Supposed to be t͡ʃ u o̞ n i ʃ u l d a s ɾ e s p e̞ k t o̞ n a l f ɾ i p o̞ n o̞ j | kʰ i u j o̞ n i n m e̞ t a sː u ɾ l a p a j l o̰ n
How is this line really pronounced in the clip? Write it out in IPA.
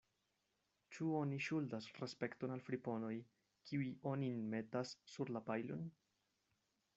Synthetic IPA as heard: t͡ʃ u o̞ n i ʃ u l d a s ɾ e s p e̞ k t o̞ n a l f ɾ i p o̞ n o̞ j | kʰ i u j o̞ n i n m e̞ t a sː u ɾ l a p a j l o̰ n